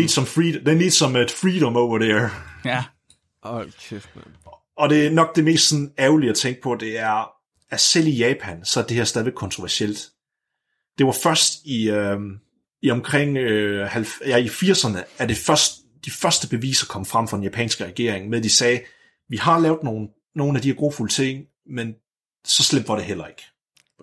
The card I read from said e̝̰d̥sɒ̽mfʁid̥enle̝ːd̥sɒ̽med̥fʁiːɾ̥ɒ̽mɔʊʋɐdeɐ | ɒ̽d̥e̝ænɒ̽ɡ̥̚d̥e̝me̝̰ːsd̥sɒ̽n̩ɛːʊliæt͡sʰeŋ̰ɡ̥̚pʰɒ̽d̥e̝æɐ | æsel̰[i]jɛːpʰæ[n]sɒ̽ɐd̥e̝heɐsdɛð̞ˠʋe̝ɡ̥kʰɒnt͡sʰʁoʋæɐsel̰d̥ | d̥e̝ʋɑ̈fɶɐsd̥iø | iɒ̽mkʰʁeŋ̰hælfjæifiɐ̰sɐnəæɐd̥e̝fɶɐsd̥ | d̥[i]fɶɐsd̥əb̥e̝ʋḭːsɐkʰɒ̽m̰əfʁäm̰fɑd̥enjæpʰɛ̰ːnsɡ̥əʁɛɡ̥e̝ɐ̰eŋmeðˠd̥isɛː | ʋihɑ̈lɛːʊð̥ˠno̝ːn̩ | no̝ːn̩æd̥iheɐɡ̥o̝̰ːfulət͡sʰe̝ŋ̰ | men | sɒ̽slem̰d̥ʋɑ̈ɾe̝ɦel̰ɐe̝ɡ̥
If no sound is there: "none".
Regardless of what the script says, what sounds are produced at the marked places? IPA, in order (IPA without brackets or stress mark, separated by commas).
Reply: i, n, i